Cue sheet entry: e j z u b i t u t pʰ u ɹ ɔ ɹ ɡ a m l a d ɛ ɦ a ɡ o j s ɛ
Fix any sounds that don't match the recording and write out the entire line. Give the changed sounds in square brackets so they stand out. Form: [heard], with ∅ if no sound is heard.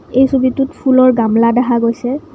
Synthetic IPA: e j [s] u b i t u t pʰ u [l] ɔ ɹ ɡ a m l a d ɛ ɦ a ɡ o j s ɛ